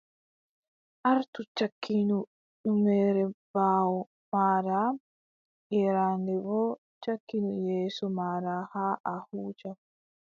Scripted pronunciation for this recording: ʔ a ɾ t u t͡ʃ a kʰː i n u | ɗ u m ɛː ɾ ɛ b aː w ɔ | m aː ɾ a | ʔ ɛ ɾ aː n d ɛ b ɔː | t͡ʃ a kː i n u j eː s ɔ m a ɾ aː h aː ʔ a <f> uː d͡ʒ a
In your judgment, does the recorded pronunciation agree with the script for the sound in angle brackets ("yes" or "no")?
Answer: no